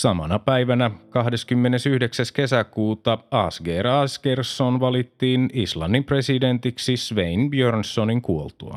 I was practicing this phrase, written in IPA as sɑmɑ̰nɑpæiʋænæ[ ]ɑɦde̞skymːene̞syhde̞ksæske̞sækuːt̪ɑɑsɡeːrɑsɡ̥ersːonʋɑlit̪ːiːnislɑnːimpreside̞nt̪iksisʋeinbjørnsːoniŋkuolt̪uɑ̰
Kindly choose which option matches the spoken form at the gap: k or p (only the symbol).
k